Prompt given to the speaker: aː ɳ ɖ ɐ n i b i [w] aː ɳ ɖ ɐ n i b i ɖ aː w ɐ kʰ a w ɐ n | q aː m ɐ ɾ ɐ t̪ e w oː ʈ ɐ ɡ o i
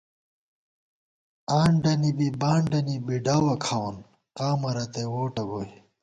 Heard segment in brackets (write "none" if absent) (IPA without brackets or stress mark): b